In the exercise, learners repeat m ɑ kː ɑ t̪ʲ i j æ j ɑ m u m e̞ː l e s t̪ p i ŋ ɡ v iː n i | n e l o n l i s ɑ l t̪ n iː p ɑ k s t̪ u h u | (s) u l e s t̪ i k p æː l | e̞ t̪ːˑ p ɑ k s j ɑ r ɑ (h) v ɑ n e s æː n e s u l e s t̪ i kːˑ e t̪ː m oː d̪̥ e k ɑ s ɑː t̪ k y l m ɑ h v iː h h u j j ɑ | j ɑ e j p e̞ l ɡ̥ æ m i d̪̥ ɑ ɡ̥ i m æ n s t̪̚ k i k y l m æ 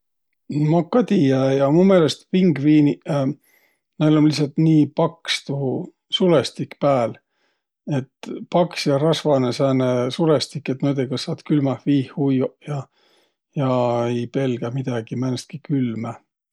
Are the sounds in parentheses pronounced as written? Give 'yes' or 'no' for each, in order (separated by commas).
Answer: yes, no